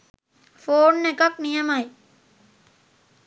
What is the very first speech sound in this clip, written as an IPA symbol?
f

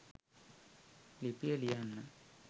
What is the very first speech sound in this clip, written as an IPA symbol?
l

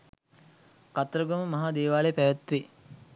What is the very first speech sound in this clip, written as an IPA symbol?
k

